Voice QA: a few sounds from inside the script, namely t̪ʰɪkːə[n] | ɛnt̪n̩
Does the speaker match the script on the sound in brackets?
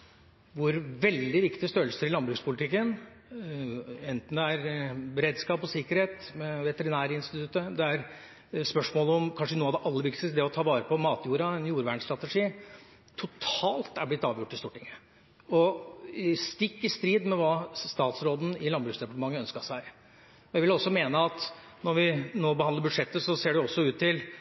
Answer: yes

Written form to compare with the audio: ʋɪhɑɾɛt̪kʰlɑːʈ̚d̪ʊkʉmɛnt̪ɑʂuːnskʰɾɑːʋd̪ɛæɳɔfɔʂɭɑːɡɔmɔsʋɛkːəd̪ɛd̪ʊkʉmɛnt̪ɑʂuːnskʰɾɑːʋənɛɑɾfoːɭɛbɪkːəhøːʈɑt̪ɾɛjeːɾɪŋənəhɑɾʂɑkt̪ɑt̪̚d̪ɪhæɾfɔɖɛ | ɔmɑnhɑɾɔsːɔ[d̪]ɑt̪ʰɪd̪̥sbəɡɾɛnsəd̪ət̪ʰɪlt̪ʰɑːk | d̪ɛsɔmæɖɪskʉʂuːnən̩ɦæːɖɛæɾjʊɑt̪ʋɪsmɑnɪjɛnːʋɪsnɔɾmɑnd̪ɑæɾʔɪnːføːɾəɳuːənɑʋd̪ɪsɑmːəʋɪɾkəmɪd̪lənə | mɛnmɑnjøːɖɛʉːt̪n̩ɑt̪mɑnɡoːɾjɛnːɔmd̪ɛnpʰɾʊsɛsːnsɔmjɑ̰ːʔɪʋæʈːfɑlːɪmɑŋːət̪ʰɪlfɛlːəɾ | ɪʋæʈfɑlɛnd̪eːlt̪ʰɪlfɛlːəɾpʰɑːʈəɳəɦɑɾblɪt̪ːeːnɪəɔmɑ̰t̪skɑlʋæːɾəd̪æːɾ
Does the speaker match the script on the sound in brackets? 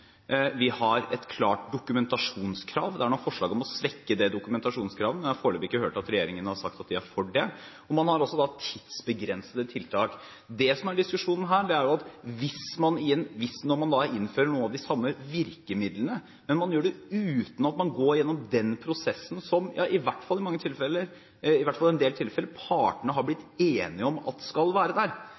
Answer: yes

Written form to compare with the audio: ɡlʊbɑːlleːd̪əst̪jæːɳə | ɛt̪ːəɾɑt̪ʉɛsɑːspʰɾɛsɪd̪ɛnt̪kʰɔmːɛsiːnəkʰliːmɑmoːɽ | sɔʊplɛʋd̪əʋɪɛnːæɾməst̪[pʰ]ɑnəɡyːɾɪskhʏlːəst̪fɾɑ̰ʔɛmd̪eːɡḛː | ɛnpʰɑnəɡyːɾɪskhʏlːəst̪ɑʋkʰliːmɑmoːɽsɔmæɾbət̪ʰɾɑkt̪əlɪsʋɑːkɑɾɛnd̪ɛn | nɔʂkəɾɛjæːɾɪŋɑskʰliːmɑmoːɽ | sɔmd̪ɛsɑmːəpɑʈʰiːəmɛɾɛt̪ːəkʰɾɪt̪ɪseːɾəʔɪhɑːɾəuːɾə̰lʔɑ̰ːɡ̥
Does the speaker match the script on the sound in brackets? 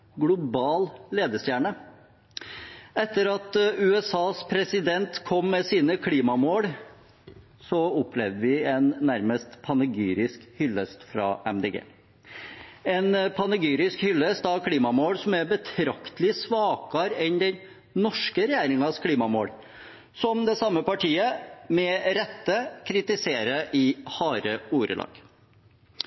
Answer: yes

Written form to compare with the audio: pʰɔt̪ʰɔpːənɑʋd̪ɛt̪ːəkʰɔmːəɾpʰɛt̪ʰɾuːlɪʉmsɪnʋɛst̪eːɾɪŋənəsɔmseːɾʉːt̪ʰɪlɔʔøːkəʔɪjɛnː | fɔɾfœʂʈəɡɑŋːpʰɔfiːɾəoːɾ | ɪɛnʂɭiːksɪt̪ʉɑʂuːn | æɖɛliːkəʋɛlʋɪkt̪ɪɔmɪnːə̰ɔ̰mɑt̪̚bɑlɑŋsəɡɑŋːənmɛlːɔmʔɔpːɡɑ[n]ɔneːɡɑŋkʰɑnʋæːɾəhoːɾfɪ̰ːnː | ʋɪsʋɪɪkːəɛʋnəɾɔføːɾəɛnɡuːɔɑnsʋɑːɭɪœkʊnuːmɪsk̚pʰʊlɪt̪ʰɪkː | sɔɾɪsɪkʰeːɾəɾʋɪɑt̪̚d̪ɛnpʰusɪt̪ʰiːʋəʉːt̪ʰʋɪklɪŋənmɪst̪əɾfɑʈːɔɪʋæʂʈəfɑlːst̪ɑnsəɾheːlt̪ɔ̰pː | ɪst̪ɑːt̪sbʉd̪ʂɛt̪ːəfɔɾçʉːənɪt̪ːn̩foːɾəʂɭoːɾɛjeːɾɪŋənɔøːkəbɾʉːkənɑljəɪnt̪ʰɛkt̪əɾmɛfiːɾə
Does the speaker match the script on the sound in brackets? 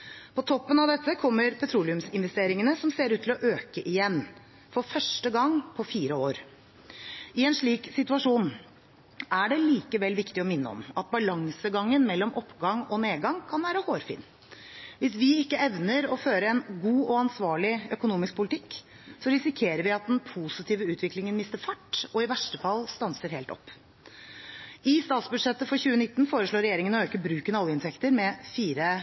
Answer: no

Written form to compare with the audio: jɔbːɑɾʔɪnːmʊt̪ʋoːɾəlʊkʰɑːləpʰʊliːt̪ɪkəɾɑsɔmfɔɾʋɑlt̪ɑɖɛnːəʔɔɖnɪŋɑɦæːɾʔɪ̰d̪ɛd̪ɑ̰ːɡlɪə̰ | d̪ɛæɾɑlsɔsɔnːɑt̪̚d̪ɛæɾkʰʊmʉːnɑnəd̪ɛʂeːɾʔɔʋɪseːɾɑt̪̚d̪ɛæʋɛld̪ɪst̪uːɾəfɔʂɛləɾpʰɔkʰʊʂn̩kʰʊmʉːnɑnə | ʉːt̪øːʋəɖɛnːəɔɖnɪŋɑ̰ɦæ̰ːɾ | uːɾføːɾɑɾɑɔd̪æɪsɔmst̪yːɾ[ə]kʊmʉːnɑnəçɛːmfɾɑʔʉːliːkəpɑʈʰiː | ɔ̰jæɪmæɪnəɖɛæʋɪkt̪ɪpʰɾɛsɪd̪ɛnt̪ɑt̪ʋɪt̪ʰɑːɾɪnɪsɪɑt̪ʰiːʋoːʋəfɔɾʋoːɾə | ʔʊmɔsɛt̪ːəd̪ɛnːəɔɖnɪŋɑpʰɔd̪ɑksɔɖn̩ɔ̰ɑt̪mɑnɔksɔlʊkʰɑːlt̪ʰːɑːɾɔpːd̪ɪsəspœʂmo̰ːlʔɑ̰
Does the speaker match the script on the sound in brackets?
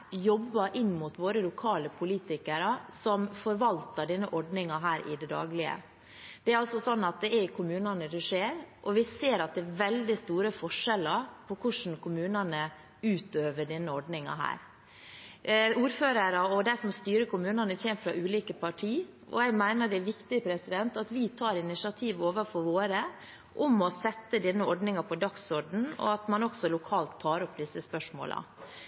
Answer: yes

